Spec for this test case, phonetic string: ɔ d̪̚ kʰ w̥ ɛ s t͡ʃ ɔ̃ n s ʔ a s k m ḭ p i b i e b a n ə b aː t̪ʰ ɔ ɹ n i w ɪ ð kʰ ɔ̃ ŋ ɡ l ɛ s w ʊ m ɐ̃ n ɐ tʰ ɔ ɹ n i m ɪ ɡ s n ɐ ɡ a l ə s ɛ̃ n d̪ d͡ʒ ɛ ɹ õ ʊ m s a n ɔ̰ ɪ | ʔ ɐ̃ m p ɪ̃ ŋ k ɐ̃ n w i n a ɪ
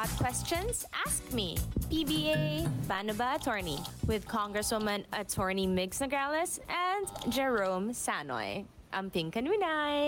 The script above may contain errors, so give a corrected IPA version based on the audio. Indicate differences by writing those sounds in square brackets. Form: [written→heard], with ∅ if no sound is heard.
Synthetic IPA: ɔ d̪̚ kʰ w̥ ɛ s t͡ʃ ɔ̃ n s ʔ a s k m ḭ p i b i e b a n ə b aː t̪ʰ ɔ ɹ n i w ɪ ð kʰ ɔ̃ ŋ ɡ [l→ɹ] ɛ s w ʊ m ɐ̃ n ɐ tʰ ɔ ɹ n i m ɪ ɡ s n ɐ ɡ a l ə s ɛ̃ n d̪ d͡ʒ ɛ ɹ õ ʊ m s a n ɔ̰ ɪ | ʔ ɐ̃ m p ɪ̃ ŋ k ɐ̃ n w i n a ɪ